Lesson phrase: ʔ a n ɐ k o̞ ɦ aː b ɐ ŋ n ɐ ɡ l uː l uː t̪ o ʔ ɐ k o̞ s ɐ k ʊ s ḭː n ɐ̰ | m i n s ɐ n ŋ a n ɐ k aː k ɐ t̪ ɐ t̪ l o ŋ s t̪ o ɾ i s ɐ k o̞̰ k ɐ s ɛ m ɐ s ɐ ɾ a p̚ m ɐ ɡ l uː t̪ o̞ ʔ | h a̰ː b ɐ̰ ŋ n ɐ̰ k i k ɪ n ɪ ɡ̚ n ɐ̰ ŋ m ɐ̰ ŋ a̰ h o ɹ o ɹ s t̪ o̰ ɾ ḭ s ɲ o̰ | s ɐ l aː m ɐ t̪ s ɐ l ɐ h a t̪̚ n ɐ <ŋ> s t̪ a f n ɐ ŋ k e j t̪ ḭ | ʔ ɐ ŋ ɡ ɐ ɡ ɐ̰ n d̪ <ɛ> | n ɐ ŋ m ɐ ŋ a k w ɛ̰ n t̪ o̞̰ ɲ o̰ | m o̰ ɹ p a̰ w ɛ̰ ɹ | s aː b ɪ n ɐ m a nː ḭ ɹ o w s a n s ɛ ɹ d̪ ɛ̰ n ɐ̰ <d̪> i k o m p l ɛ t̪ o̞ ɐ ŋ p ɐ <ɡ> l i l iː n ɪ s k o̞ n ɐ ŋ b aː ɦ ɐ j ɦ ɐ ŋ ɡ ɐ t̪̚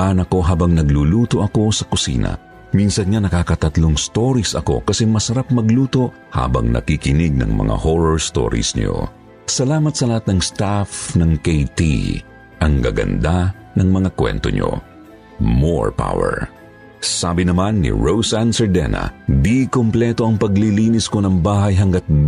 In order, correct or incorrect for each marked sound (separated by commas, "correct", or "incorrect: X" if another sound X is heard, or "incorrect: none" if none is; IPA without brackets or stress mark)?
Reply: correct, incorrect: a, correct, correct